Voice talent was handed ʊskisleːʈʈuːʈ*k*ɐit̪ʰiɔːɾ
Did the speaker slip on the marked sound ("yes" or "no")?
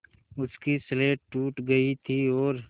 yes